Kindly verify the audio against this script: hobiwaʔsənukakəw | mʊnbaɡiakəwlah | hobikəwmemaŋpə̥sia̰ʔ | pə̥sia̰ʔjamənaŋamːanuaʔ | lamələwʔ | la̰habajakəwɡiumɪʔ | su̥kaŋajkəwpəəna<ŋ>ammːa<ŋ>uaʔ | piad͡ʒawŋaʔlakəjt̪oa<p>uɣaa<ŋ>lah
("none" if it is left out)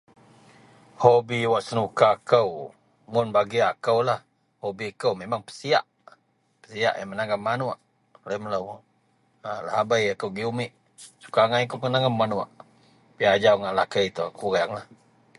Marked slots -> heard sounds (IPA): ŋ, n, k, ŋ

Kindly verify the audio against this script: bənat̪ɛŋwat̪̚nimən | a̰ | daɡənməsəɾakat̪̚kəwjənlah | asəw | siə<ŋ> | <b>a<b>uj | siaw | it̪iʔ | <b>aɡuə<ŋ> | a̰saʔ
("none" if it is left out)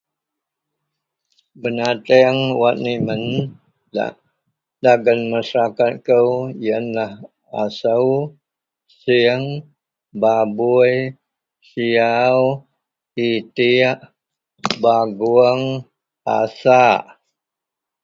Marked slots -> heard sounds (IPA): ŋ, b, b, b, ŋ

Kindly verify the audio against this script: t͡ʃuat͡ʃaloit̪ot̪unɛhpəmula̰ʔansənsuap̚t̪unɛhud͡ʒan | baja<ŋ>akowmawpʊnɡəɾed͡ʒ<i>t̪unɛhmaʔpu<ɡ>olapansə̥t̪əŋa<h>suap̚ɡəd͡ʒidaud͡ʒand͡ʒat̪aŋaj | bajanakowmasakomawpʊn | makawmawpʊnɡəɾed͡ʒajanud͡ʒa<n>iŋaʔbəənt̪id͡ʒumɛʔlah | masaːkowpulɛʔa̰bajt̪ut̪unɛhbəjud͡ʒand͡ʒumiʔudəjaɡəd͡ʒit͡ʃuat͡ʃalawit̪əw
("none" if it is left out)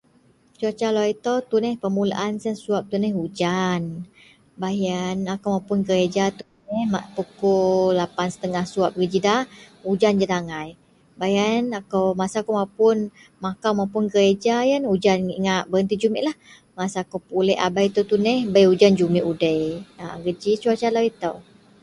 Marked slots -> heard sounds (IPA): n, a, k, h, n

